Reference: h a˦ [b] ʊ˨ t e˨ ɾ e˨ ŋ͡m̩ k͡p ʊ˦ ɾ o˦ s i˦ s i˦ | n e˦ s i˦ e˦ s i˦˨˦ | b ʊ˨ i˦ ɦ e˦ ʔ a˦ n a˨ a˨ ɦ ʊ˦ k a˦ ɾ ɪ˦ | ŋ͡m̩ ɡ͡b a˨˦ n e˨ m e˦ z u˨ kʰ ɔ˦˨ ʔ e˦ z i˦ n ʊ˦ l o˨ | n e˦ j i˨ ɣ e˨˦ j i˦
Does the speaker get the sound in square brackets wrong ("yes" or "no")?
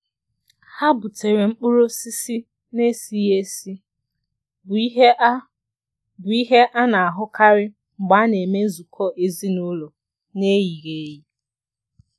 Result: no